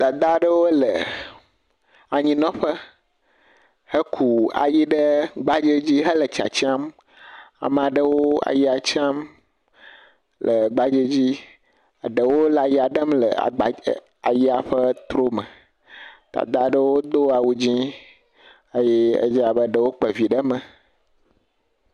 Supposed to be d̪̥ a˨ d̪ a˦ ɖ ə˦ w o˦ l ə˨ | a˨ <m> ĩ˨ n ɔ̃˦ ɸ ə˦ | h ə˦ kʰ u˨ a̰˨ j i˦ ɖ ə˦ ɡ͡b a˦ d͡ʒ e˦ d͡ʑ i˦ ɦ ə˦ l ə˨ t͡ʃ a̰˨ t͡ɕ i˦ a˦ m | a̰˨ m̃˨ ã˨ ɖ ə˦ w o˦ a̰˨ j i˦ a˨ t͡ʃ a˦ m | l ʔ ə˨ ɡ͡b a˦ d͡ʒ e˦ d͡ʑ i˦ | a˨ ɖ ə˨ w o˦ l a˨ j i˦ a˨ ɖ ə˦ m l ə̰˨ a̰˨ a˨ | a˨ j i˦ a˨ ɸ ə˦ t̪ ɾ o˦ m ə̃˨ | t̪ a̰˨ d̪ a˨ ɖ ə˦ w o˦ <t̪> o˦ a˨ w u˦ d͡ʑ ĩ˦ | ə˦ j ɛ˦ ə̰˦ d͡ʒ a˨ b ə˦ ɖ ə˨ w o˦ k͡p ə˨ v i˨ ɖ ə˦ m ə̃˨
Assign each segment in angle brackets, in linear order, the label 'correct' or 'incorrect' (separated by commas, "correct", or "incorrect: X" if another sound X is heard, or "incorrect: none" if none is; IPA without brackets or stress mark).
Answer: incorrect: ɲ, incorrect: d̪